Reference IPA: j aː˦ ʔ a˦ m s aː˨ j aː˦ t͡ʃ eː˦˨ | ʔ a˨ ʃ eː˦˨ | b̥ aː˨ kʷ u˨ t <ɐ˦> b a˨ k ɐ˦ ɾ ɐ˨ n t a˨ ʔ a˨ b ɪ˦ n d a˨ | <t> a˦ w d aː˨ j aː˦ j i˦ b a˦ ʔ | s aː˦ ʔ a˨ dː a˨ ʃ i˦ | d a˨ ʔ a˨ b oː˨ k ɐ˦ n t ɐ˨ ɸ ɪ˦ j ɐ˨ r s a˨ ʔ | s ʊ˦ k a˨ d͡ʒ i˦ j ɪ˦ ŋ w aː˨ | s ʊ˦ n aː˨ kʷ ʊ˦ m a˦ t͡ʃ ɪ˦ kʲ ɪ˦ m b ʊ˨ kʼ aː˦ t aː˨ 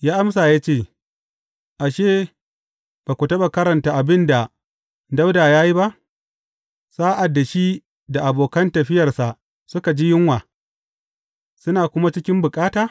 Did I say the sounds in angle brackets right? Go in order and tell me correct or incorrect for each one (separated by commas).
correct, incorrect